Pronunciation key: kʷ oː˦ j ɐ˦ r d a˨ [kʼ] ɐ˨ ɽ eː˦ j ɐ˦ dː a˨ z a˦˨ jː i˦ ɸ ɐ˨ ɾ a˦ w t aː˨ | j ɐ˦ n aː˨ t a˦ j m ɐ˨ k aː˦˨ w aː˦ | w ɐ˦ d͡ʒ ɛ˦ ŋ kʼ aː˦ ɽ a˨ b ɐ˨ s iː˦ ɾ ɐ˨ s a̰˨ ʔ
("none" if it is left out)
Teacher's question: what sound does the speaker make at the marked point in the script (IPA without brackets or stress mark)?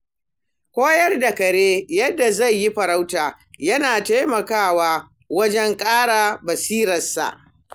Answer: k